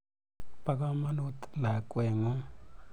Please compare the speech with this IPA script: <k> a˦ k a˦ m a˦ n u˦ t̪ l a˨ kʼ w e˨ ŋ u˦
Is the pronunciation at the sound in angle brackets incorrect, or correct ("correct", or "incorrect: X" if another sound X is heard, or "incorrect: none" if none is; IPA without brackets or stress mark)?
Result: incorrect: p